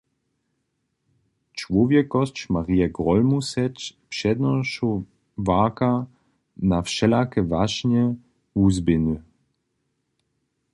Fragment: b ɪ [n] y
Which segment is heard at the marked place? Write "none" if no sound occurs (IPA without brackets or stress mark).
n